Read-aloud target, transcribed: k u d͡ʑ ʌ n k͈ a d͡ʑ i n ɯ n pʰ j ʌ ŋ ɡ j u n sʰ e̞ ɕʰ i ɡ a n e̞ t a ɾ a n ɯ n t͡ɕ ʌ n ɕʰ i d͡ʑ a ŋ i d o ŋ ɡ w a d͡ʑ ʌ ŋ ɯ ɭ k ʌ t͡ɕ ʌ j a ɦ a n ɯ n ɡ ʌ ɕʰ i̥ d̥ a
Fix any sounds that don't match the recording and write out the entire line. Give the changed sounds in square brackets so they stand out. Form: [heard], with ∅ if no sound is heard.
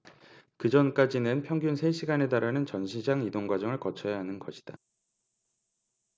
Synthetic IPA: k [ɯ] d͡ʑ ʌ n k͈ a d͡ʑ i n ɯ n pʰ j ʌ ŋ ɡ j u n sʰ e̞ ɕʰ i ɡ a n e̞ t a ɾ a n ɯ n t͡ɕ ʌ n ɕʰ i d͡ʑ a ŋ i d o ŋ ɡ w a d͡ʑ ʌ ŋ ɯ ɭ k ʌ [t͡ɕʰ] ʌ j a ɦ a n ɯ n ɡ ʌ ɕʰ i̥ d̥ a